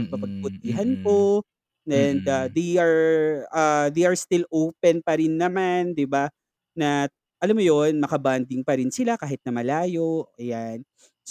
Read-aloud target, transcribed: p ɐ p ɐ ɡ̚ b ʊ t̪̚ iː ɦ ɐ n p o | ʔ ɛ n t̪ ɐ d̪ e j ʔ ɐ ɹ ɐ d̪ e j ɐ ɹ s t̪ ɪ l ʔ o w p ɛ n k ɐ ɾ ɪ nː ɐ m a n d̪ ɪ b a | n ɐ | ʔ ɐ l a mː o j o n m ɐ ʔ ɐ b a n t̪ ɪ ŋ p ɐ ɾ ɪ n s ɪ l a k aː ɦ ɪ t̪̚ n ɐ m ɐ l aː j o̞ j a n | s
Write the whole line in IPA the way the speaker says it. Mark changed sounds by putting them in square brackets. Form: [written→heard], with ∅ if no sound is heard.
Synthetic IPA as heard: p ɐ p ɐ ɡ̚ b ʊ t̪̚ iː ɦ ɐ n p o | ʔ ɛ n [t̪→d̪] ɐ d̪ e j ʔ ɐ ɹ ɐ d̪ e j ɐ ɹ s t̪ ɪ l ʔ o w p ɛ n [k→p] ɐ ɾ ɪ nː ɐ m a n d̪ ɪ b a | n ɐ | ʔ ɐ l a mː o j o n m ɐ [ʔ→k] ɐ b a n [t̪→d̪] ɪ ŋ p ɐ ɾ ɪ n s ɪ l a k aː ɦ ɪ t̪̚ n ɐ m ɐ l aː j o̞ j a n | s